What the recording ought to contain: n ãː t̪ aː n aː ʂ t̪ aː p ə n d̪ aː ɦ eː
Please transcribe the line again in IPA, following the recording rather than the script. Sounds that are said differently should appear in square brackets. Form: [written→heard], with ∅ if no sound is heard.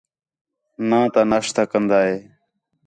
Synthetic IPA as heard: n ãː t̪ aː n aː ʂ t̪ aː [p→k] ə n d̪ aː ɦ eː

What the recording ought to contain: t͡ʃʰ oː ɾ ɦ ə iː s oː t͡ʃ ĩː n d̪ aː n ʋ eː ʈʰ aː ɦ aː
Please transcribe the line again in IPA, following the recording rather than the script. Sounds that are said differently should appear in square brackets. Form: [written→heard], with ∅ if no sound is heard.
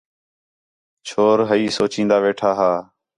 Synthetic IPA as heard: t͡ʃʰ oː ɾ ɦ ə iː s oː t͡ʃ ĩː n d̪ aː [n→∅] ʋ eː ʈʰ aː ɦ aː

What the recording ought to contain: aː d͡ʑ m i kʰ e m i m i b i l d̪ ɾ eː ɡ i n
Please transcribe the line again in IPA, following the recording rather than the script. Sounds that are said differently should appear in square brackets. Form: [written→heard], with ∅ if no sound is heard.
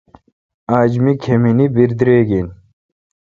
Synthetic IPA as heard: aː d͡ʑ m i kʰ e m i [m→n] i b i [l→ɾ] d̪ ɾ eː ɡ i n

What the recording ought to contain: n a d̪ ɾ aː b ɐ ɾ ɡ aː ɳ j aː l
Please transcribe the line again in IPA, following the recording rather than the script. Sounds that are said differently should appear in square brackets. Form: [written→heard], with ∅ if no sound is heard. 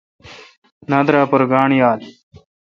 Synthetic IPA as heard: n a d̪ ɾ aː [b→p] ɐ ɾ ɡ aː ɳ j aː l

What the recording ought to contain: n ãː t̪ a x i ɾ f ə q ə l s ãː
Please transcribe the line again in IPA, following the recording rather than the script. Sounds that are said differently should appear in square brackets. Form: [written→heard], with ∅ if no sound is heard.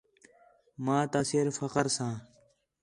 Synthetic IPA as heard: [n→m] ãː t̪ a [x→s] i ɾ f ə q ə [l→ɾ] s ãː

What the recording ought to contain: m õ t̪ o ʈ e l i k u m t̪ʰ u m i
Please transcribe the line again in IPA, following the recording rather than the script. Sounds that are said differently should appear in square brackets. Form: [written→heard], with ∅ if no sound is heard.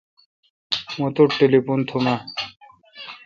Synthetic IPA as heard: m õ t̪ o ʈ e l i [k→p] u [m→n] t̪ʰ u m [i→a]

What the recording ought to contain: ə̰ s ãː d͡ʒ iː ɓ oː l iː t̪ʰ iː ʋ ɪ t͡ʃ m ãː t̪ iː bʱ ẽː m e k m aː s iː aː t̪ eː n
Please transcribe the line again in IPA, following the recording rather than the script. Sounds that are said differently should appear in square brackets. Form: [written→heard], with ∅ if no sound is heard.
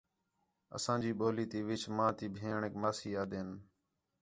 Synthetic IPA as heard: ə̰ s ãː d͡ʒ iː ɓ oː l iː [t̪ʰ→t̪] iː ʋ ɪ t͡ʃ m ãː t̪ iː bʱ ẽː [m→ɳ] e k m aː s iː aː [t̪→d̪] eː n

